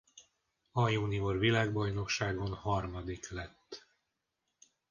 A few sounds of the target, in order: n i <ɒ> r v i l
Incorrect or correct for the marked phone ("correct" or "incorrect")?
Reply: incorrect